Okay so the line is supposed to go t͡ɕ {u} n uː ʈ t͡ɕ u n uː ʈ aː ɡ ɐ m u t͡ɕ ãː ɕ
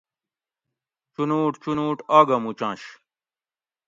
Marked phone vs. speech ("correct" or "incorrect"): correct